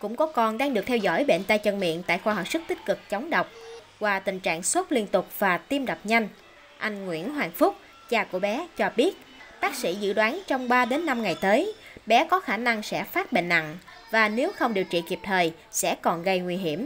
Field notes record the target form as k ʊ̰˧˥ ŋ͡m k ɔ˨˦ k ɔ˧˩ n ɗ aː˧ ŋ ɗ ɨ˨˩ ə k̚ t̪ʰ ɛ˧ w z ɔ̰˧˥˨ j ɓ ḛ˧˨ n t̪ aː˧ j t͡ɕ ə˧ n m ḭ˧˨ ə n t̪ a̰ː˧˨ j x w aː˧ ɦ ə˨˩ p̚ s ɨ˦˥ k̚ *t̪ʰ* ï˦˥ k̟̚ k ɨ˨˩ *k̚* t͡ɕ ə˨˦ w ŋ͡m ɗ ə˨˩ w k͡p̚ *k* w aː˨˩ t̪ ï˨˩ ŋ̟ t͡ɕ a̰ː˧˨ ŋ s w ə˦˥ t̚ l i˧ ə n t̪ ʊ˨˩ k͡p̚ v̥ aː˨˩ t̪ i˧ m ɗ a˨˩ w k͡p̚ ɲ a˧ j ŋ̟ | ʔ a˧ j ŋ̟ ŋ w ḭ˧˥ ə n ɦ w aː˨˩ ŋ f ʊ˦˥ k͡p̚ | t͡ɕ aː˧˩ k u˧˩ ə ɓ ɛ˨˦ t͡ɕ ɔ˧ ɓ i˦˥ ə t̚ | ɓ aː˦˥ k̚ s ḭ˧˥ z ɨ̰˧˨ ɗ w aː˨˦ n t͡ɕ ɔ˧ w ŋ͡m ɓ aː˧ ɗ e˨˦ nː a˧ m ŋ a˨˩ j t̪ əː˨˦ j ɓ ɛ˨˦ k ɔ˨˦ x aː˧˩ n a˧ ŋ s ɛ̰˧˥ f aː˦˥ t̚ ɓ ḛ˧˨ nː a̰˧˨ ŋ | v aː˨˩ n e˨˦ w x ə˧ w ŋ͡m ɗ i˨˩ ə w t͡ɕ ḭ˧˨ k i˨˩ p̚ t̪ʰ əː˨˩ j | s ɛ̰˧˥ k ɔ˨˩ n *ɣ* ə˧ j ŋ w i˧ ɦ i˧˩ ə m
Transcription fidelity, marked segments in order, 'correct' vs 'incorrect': incorrect: t̪, correct, correct, correct

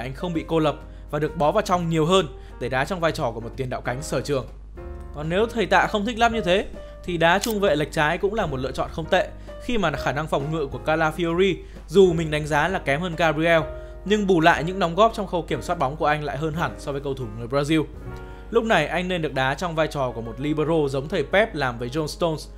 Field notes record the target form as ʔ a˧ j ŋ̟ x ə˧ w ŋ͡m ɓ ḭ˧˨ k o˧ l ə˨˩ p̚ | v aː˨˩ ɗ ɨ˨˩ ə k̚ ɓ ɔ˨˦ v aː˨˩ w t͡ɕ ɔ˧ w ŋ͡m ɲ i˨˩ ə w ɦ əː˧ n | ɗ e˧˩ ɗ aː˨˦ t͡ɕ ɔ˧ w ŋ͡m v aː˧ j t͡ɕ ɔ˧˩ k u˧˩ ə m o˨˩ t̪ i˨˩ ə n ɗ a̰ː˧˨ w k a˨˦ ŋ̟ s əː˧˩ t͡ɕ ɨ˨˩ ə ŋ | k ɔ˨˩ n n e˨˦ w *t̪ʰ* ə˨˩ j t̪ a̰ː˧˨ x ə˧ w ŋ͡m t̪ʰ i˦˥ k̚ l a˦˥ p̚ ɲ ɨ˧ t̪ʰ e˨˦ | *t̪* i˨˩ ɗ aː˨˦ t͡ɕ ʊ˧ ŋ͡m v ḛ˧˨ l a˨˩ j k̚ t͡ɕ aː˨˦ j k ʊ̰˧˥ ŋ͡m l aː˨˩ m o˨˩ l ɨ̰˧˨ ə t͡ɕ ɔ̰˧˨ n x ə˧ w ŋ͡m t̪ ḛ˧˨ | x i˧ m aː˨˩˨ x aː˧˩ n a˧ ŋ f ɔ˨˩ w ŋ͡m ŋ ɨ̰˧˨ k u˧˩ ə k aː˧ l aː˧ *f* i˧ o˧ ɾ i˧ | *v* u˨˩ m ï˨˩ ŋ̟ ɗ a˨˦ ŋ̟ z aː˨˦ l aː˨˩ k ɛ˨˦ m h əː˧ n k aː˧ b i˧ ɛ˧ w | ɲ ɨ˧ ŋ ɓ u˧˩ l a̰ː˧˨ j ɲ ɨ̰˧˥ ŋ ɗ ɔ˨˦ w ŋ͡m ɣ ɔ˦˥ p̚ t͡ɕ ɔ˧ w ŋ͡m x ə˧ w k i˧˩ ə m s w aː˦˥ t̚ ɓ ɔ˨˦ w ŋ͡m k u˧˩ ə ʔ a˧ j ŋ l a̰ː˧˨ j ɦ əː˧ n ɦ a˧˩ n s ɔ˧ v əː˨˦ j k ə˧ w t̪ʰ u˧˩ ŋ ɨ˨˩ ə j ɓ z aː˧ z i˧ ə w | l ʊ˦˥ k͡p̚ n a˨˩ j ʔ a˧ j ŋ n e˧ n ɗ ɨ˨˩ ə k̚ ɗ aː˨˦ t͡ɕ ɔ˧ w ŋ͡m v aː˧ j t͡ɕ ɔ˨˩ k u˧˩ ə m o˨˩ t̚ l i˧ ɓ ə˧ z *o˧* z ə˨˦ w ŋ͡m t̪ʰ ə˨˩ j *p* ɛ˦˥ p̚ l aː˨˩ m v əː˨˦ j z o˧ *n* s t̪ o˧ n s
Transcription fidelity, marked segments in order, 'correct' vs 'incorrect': correct, incorrect: t̪ʰ, correct, incorrect: z, correct, correct, correct

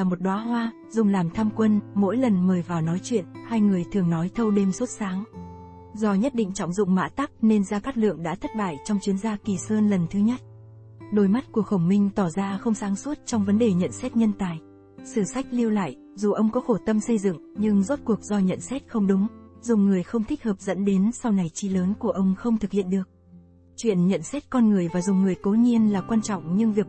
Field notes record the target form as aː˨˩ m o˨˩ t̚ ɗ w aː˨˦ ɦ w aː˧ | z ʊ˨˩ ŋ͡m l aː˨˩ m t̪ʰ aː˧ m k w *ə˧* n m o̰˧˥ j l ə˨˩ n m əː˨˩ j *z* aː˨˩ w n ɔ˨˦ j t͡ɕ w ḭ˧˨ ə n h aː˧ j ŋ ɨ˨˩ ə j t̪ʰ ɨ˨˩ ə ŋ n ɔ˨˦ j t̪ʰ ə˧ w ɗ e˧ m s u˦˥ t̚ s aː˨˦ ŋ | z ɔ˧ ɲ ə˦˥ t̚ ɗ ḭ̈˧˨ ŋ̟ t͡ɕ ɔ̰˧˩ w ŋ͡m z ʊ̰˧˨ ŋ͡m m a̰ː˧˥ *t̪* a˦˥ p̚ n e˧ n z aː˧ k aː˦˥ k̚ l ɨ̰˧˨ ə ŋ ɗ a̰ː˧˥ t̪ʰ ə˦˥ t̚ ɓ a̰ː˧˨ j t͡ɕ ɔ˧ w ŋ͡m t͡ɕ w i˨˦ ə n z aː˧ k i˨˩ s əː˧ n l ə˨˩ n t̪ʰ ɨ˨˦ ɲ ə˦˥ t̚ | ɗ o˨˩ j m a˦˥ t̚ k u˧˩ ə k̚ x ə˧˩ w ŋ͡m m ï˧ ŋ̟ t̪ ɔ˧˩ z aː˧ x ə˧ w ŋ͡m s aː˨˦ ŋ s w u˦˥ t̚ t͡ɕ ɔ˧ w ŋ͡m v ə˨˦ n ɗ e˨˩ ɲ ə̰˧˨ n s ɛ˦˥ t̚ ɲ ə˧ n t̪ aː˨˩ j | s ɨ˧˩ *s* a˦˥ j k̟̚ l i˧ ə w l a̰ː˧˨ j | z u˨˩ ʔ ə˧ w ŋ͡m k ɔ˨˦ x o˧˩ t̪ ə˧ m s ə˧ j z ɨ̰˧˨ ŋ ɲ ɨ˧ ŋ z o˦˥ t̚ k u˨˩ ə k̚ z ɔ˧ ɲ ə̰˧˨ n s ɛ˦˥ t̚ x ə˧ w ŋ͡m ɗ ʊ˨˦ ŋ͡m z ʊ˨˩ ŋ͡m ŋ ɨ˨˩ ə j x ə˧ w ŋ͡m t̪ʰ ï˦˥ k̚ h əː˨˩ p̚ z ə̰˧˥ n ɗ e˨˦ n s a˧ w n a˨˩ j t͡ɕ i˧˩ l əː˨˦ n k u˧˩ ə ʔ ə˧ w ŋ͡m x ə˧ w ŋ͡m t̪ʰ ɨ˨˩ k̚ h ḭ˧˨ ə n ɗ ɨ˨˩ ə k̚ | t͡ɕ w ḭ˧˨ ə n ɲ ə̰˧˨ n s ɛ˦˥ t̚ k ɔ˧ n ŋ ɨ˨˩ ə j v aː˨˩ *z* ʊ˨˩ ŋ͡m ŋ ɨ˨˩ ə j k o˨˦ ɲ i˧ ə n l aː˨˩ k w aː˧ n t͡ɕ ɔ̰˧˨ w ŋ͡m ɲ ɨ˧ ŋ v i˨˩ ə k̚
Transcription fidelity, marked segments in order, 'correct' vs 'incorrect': correct, incorrect: v, correct, correct, correct

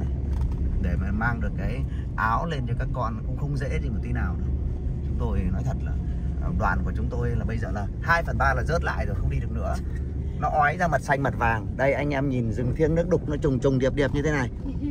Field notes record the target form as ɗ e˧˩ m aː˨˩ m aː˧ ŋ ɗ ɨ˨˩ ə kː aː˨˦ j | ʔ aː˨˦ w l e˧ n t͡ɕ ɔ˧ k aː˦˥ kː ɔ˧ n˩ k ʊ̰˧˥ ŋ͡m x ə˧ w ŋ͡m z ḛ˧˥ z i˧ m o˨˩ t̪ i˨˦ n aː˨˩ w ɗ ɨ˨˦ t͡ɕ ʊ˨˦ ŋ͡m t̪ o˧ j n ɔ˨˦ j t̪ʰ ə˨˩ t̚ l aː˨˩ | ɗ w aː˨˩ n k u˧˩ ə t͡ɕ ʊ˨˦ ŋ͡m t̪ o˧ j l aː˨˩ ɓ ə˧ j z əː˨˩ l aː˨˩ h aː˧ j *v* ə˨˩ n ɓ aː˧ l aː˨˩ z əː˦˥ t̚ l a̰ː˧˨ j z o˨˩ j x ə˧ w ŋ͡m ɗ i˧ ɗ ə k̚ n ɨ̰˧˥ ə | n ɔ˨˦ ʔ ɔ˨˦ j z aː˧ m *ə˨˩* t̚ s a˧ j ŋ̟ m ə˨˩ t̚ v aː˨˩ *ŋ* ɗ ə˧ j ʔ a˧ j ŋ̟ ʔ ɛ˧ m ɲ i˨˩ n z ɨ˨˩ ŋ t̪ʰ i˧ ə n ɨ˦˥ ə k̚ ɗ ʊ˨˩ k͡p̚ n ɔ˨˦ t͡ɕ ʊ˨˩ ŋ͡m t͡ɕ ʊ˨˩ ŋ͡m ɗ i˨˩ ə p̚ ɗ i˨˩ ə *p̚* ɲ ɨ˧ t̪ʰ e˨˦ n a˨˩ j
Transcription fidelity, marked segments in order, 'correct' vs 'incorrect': incorrect: f, correct, correct, correct

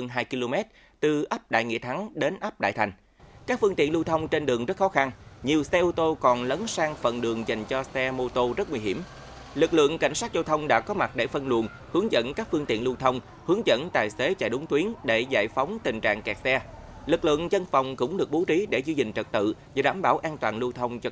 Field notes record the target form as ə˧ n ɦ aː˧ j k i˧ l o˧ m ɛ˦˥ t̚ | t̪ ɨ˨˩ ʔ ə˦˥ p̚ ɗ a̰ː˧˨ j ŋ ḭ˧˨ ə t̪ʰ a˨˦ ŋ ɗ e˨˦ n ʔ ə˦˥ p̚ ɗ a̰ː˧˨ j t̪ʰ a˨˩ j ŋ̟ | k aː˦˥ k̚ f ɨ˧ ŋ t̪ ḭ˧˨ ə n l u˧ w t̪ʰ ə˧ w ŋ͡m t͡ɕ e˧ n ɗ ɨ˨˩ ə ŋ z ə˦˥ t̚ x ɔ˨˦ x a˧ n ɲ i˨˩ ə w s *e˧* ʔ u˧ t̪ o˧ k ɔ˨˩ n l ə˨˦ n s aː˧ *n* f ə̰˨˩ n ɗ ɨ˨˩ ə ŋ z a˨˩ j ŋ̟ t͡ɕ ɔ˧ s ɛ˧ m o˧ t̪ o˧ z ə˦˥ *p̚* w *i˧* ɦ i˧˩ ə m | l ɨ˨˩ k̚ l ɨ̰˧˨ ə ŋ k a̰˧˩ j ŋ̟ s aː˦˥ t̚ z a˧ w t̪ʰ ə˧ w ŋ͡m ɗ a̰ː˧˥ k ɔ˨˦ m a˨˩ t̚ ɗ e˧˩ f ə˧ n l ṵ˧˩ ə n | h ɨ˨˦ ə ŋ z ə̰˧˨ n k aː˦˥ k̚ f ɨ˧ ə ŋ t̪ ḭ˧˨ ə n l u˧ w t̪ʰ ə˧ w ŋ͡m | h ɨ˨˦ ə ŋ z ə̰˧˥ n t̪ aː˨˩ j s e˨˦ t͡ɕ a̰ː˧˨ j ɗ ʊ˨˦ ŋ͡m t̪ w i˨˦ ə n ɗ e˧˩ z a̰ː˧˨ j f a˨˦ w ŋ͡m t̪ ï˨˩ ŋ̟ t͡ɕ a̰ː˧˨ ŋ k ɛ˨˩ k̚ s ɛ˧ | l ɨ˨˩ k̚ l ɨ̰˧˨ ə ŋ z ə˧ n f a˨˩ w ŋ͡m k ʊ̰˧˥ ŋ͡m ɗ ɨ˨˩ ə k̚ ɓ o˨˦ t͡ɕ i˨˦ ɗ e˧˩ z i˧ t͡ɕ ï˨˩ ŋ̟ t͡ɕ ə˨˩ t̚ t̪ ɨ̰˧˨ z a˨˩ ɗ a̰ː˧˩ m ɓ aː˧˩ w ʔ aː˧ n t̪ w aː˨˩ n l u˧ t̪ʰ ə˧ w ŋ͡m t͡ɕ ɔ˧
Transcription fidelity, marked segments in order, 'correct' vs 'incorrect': incorrect: ɛ˧, incorrect: ŋ, incorrect: t̚, correct

